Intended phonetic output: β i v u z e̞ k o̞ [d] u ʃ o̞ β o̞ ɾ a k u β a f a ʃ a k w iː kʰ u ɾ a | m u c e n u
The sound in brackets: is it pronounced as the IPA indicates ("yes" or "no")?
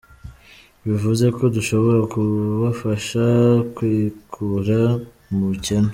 yes